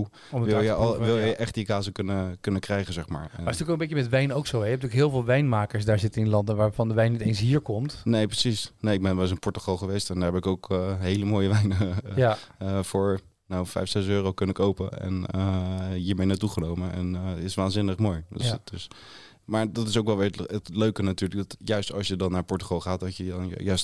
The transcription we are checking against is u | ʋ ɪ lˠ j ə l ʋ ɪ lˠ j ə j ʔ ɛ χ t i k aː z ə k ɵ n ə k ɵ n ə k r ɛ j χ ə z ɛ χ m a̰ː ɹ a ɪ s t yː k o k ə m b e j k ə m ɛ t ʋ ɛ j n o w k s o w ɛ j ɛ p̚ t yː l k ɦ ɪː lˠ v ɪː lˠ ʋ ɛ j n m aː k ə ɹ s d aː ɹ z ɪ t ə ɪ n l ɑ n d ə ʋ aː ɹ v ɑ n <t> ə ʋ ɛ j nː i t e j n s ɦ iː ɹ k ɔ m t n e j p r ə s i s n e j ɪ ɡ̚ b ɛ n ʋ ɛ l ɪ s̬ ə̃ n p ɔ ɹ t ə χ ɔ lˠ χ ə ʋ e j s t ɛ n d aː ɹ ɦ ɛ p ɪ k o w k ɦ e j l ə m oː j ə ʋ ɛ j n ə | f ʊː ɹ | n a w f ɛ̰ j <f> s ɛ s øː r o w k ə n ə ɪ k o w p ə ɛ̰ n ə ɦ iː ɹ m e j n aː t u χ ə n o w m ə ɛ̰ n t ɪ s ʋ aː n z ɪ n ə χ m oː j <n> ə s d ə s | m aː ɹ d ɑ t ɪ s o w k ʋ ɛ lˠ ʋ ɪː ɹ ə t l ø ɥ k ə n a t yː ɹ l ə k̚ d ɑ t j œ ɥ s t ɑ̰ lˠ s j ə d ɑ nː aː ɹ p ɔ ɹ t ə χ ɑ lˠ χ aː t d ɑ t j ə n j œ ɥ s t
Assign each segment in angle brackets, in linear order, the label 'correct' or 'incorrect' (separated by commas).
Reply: incorrect, correct, incorrect